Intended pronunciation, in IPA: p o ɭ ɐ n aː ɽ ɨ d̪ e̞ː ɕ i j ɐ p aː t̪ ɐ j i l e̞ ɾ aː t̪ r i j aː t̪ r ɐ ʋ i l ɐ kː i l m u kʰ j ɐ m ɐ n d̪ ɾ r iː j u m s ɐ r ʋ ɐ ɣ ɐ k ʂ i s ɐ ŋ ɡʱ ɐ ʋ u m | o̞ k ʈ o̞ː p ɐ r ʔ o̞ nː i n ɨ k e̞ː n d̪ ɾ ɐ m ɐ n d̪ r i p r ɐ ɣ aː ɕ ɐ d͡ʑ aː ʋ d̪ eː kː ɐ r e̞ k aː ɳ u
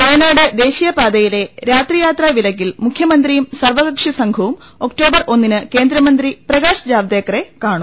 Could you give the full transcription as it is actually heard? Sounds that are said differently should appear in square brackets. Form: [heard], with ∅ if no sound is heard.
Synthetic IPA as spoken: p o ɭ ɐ n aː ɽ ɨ d̪ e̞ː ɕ i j ɐ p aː [d̪] ɐ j i l e̞ ɾ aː t̪ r i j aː t̪ r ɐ ʋ i l ɐ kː i l m u kʰ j ɐ m ɐ n d̪ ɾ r [i] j u m s ɐ r ʋ ɐ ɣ ɐ k ʂ i s ɐ ŋ ɡʱ ɐ ʋ u m | o̞ k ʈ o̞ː [b] ɐ r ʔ o̞ nː i n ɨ k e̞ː n d̪ ɾ ɐ m ɐ n d̪ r i p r ɐ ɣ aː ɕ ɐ d͡ʑ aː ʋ d̪ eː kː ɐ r e̞ k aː ɳ u